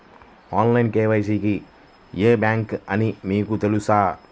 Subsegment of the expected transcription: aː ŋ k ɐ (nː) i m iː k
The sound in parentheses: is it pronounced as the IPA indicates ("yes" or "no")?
no